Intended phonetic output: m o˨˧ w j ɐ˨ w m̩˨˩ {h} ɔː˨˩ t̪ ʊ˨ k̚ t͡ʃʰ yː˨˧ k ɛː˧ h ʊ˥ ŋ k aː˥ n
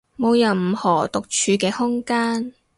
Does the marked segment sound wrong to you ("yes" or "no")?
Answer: no